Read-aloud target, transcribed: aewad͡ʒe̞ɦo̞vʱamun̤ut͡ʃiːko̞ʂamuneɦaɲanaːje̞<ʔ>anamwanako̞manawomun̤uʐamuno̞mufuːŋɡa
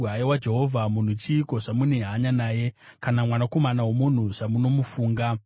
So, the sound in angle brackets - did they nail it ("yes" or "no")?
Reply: no